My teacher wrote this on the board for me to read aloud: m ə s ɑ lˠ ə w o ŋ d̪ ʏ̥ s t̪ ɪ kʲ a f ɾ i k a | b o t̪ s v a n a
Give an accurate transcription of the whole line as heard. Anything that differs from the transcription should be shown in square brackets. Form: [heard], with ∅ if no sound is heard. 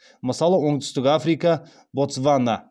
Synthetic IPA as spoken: m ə s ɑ lˠ ə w o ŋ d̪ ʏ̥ s t̪ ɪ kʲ a f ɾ i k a | b o t̪ s v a n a